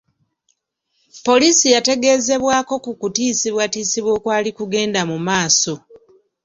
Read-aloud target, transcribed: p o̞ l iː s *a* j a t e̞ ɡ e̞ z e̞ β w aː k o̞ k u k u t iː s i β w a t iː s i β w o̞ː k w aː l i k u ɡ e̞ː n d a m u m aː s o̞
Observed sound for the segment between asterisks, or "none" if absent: i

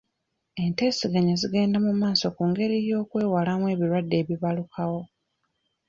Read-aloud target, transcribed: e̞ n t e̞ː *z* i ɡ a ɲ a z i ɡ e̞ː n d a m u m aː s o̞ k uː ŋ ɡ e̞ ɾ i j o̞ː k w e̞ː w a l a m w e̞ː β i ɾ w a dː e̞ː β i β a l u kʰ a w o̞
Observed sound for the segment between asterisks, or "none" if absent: s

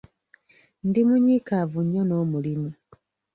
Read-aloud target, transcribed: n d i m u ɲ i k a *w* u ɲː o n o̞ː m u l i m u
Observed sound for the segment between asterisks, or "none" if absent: v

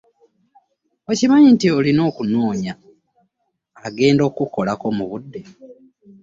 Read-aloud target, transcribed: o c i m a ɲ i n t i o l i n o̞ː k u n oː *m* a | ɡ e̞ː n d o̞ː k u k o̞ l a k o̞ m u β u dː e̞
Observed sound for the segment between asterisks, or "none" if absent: ɲ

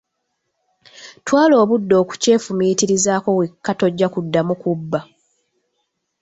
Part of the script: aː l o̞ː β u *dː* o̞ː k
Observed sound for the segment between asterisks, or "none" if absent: dː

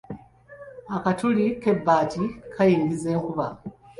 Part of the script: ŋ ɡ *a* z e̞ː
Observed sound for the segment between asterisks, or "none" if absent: i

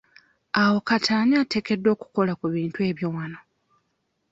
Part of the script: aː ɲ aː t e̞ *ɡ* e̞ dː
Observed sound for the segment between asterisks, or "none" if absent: k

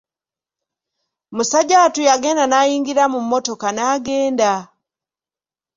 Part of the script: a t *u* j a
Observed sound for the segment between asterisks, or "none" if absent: u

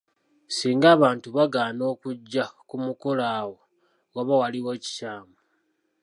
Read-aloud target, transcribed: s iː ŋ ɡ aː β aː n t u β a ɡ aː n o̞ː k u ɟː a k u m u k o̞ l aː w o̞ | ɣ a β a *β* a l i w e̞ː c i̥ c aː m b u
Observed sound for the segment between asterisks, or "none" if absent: w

